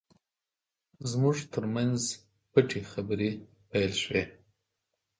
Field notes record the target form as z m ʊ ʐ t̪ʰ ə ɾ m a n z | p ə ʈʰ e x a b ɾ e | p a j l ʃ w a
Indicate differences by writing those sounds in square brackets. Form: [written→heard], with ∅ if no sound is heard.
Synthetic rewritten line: z m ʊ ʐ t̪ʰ ə ɾ m a n z | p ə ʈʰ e x a b ɾ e | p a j l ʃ w [a→e]